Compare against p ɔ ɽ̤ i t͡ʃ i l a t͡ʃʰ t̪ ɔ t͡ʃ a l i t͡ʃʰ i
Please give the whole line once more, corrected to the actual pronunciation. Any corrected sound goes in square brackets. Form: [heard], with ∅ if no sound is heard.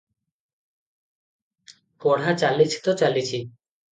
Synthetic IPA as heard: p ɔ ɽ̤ [a] t͡ʃ [a] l [i] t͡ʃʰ t̪ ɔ t͡ʃ a l i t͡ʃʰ i